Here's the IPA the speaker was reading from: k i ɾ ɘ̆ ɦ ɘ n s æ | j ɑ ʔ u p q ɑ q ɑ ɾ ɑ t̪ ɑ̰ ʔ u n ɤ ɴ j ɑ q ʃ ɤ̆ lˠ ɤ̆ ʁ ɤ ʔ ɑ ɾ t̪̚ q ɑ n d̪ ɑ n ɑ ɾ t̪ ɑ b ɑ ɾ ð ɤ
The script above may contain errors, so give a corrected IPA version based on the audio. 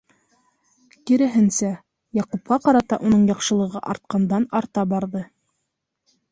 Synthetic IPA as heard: k i ɾ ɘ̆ ɦ ɘ n s æ | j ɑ q u p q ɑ q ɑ ɾ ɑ t̪ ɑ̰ ʔ u n ɤ ɴ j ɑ q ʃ ɤ̆ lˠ ɤ̆ ʁ ɤ ʔ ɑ ɾ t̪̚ q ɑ n d̪ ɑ n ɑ ɾ t̪ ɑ b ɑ ɾ ð ɤ